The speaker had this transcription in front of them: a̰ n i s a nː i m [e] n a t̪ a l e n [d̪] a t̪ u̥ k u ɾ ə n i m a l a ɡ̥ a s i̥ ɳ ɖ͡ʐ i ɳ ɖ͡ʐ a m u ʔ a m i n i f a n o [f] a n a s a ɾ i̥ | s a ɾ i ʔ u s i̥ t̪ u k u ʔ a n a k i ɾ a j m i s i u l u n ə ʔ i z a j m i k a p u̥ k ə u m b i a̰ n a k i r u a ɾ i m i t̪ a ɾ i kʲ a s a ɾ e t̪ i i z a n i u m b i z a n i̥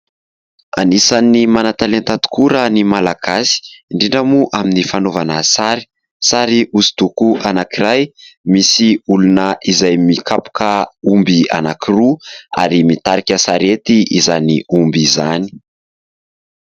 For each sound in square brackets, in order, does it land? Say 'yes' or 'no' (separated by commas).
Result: no, no, no